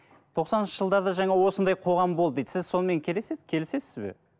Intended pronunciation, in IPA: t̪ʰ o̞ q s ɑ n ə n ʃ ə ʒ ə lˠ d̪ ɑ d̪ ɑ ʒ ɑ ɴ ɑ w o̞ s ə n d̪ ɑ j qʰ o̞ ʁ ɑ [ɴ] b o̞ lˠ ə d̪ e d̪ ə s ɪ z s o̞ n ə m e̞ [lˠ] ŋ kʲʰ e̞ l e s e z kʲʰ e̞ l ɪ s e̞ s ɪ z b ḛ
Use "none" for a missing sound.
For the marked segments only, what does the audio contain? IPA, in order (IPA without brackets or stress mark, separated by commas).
m, none